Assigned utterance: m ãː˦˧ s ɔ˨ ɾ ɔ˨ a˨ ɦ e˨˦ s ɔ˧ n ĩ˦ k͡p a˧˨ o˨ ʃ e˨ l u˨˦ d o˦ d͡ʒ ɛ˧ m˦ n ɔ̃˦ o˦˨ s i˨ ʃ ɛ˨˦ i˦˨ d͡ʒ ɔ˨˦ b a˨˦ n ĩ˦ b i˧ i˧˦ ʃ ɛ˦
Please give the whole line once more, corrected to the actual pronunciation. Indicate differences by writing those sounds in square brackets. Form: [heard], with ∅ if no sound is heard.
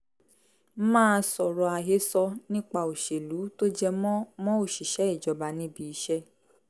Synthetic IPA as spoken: m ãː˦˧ s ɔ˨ ɾ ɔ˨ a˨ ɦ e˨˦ s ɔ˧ n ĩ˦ k͡p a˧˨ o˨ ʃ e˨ l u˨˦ [t] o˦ d͡ʒ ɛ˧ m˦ [m] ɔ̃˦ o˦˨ [ʃ] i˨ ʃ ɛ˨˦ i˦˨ d͡ʒ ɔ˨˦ b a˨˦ n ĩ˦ b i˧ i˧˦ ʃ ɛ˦